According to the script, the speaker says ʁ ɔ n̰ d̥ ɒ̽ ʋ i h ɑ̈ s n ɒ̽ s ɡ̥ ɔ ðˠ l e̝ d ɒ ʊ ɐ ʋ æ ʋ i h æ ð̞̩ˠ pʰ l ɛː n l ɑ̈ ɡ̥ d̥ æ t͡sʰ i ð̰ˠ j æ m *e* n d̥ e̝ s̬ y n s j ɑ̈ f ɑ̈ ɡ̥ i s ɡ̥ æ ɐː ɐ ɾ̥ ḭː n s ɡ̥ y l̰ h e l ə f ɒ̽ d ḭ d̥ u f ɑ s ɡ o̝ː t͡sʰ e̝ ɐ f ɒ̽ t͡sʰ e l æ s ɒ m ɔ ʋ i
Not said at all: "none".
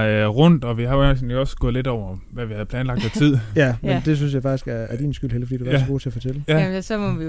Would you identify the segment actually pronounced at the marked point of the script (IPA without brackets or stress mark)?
e